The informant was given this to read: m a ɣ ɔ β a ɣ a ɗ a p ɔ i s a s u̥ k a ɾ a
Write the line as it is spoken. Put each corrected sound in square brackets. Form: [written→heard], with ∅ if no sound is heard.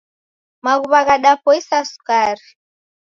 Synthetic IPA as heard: m a ɣ [ɔ→u] β a ɣ a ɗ a p ɔ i s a s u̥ k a ɾ [a→i]